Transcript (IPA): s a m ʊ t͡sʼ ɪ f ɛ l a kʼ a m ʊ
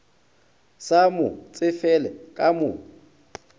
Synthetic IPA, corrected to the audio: s a m ʊ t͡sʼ ɪ f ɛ l ɛ kʼ a m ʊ